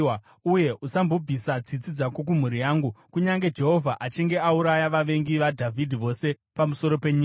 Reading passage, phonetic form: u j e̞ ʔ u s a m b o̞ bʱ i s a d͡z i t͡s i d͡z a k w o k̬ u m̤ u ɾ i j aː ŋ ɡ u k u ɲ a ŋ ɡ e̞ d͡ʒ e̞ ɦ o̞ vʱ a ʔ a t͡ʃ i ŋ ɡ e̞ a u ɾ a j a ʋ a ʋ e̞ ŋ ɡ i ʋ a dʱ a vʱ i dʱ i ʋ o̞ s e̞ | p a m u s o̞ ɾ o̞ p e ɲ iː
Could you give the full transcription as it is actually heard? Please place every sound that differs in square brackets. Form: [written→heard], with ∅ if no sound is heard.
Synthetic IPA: u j e̞ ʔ u s a m b o̞ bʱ i s a d͡z i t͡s i d͡z a k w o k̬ u m̤ u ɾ i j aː ŋ ɡ u k u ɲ a ŋ ɡ e̞ d͡ʒ e̞ ɦ o̞ vʱ a ʔ a t͡ʃ i ŋ ɡ e̞ a u ɾ a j a ʋ a ʋ e̞ ŋ ɡ i ʋ a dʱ a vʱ i dʱ i ʋ o̞ s e̞ | p a m u s o̞ ɾ o̞ p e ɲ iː

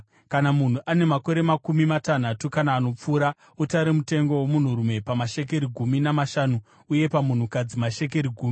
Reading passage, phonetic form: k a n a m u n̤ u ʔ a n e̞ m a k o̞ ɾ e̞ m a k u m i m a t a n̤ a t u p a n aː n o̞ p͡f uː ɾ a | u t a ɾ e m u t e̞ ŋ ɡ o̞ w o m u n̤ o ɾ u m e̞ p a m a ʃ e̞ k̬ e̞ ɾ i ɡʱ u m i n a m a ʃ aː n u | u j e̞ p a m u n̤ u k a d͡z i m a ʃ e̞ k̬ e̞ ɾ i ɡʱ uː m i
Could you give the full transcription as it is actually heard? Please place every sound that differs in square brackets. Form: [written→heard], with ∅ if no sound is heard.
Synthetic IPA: k a n a m u n̤ u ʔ a n e̞ m a k o̞ ɾ e̞ m a k u m i m a t a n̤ a t u [p→k] a n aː n o̞ p͡f uː ɾ a | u t a ɾ e m u t e̞ ŋ ɡ o̞ w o m u n̤ [o→u] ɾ u m e̞ p a m a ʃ e̞ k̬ e̞ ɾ i ɡʱ u m i n a m a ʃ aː n u | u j e̞ p a m u n̤ u k a d͡z i m a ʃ e̞ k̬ e̞ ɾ i ɡʱ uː m i

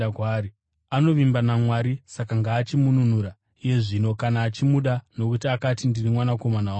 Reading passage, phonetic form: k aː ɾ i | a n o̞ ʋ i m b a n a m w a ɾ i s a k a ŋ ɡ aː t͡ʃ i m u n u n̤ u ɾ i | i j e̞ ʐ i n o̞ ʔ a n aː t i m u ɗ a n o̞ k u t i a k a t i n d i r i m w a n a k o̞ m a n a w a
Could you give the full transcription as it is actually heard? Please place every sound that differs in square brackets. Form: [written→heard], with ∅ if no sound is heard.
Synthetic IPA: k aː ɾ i | a n o̞ ʋ i m b a n a m w a ɾ i s a k a ŋ ɡ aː t͡ʃ i m u n u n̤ u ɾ [i→a] | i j e̞ ʐ i n o̞ [ʔ→k] a n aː [t→t͡ʃ] i m u ɗ a n o̞ k u t i a k a t i n d i r i m w a n a k o̞ m a n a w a

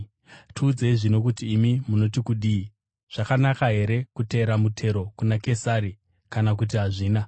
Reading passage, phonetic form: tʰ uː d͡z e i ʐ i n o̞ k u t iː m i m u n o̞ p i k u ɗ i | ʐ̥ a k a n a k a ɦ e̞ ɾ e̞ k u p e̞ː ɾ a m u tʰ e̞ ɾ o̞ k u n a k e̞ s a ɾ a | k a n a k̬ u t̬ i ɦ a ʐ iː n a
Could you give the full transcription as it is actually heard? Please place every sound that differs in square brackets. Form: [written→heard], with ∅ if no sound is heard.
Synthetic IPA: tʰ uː d͡z e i ʐ i n o̞ k u t iː m i m u n o̞ [p→t] i k u ɗ i | ʐ̥ a k a n a k a ɦ e̞ ɾ e̞ k u [p→t] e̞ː ɾ a m u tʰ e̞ ɾ o̞ k u n a k e̞ s a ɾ [a→i] | k a n a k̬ u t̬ i ɦ a ʐ iː n a

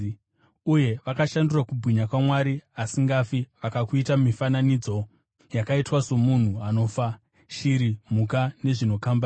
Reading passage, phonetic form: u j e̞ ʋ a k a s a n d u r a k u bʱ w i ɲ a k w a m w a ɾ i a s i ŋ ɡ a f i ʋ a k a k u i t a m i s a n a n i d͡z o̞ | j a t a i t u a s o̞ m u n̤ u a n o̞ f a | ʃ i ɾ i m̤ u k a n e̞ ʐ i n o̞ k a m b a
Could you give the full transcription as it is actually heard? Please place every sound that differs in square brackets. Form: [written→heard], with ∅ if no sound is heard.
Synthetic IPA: u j e̞ ʋ a k a [s→ʃ] a n d u r a k u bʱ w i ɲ a k w a m w a ɾ i a s i ŋ ɡ a f i ʋ a k a k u i t a m i [s→f] a n a n i d͡z o̞ | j a [t→k] a i t [u→w] a s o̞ m u n̤ u a n o̞ f a | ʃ i ɾ i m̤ u k a n e̞ ʐ i n o̞ k a m b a

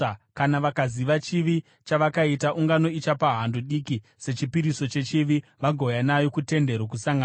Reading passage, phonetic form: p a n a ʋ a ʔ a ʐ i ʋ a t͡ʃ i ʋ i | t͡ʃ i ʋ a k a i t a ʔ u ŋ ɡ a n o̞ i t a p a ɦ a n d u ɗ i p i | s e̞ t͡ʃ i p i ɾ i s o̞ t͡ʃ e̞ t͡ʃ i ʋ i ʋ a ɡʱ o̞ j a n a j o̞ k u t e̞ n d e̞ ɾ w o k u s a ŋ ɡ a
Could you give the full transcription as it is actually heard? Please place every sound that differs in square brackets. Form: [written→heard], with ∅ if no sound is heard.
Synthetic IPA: [p→k] a n a ʋ a [ʔ→k] a [ʐ→z] i ʋ a t͡ʃ i ʋ i | t͡ʃ [i→a] ʋ a k a i t a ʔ u ŋ ɡ a n o̞ i [t→t͡ʃ] a p a ɦ a n d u ɗ i [p→k] i | s e̞ t͡ʃ i p i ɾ i s o̞ t͡ʃ e̞ t͡ʃ i ʋ i ʋ a ɡʱ o̞ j a n a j o̞ k u t e̞ n d e̞ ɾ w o k u s a ŋ ɡ a

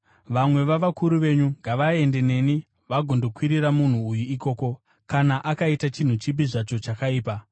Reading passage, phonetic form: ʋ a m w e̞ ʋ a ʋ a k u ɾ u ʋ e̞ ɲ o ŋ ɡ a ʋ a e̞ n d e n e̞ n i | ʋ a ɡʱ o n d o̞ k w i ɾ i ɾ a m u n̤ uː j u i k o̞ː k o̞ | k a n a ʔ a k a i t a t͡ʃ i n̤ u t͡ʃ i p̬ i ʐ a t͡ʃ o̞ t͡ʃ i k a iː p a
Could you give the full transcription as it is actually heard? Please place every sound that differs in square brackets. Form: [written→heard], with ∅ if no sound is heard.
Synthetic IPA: ʋ a m w e̞ ʋ a ʋ a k u ɾ u ʋ e̞ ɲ [o→u] ŋ ɡ a ʋ a e̞ n d e n e̞ n i | ʋ a ɡʱ o n d o̞ k w i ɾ i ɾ a m u n̤ uː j u i k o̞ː k o̞ | k a n a ʔ a k a i t a t͡ʃ i n̤ u t͡ʃ i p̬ i ʐ a t͡ʃ o̞ t͡ʃ [i→a] k a iː p a

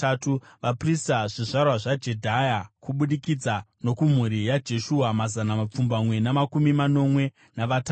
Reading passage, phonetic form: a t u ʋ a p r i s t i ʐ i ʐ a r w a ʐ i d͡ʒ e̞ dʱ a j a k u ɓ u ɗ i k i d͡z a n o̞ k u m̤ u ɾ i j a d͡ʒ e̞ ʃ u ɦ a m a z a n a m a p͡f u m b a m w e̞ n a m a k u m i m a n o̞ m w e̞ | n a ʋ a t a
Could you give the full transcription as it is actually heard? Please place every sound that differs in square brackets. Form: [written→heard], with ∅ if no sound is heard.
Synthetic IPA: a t u ʋ a p r i s t [i→a] ʐ i ʐ a r w a ʐ [i→a] d͡ʒ e̞ dʱ a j a k u ɓ u ɗ i k i d͡z a n o̞ k u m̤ u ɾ i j a d͡ʒ e̞ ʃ u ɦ a m a z a n a m a p͡f u m b a m w e̞ n a m a k u m i m a n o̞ m w e̞ | n a ʋ a t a

